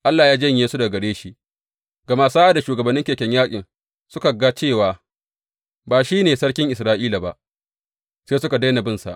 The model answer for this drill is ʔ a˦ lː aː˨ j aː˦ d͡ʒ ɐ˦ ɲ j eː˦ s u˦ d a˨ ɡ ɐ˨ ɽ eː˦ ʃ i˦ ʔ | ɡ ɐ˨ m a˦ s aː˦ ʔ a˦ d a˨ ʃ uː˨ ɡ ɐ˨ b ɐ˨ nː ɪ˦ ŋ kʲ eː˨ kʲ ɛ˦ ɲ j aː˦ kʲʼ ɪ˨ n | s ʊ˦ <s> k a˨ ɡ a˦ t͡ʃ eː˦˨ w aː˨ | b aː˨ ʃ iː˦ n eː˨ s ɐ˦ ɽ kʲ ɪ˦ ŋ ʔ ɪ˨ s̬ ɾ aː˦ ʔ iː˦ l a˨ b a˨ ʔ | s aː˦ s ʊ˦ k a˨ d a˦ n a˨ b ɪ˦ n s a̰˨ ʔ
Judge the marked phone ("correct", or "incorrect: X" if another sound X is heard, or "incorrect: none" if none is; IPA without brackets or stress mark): incorrect: none